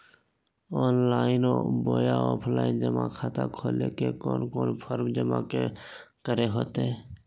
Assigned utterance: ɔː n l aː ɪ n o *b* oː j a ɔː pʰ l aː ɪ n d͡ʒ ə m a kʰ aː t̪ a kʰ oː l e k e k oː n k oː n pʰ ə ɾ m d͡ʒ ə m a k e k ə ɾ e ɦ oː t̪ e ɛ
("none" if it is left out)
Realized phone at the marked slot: b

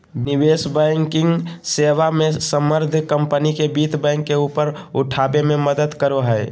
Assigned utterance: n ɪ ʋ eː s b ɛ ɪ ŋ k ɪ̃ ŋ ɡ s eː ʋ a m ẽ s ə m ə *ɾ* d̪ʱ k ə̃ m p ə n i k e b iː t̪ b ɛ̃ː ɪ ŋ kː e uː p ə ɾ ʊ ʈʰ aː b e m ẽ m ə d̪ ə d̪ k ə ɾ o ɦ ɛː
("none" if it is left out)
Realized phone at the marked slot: ɾ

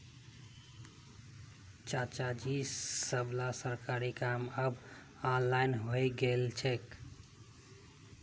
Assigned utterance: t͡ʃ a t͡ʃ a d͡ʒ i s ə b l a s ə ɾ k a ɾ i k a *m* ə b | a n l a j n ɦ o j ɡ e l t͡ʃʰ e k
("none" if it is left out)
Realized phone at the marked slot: m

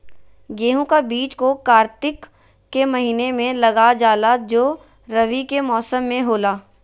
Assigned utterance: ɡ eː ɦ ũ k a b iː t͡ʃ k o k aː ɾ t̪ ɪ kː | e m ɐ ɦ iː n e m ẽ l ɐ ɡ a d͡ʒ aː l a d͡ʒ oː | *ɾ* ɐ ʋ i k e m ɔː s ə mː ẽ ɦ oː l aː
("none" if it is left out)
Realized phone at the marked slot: ɾ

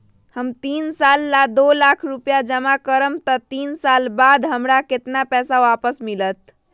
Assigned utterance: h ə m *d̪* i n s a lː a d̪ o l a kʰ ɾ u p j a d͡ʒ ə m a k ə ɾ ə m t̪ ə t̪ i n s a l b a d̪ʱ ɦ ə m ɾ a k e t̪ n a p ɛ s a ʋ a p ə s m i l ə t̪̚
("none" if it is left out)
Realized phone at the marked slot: t̪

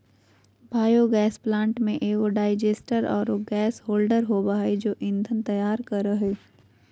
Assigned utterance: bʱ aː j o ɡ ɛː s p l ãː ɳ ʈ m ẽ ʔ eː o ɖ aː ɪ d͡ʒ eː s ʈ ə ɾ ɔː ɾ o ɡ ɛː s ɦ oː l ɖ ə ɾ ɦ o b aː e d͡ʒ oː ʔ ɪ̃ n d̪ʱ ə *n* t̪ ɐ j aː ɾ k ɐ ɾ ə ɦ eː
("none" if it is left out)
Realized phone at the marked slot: n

